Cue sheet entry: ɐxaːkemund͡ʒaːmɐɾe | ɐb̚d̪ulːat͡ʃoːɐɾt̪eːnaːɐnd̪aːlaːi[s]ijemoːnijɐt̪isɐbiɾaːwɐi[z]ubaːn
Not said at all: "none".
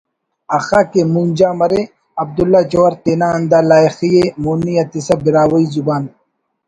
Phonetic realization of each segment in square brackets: x, z

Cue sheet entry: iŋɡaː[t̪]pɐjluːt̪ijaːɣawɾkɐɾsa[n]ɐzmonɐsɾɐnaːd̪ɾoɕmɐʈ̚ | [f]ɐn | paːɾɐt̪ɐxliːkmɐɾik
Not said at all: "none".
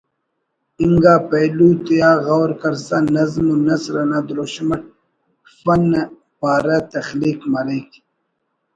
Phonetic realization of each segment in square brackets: none, n, f

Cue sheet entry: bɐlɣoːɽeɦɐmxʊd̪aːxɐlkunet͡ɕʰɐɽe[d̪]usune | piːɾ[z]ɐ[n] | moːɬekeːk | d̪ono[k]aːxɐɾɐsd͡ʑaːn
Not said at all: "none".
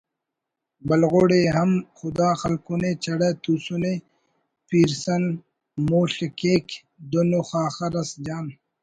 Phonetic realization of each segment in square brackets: t̪, s, n, x

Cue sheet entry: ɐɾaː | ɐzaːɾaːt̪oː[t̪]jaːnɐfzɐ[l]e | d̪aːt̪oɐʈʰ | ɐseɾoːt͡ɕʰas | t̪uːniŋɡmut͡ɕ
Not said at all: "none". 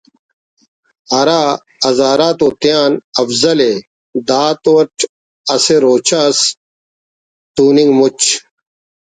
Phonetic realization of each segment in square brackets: t̪, l

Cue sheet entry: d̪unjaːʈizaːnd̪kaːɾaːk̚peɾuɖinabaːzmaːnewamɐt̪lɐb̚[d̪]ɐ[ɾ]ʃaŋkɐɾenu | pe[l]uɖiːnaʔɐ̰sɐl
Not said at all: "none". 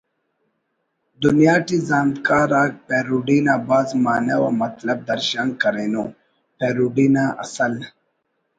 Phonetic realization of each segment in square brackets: d̪, ɾ, ɾ

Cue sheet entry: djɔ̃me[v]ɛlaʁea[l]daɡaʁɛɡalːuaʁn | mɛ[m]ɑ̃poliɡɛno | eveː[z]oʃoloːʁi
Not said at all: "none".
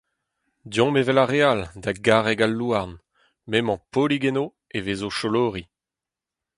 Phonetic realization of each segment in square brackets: v, l, m, z

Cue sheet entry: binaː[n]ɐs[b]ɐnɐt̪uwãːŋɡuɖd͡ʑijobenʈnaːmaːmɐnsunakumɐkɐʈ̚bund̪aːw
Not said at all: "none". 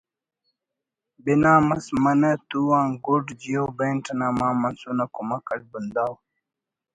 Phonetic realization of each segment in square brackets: m, m

